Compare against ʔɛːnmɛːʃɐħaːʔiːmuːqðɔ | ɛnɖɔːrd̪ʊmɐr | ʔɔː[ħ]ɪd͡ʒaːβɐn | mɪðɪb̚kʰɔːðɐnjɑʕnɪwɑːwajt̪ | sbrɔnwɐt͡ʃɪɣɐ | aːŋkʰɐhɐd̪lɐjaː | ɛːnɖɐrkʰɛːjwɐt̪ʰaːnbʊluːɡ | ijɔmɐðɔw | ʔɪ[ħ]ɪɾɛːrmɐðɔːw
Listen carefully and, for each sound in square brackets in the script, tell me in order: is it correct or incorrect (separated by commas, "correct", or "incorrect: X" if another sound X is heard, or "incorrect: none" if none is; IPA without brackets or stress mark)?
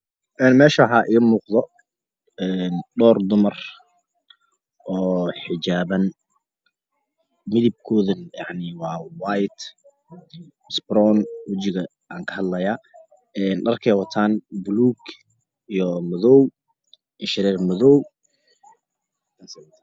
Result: correct, incorrect: ʃ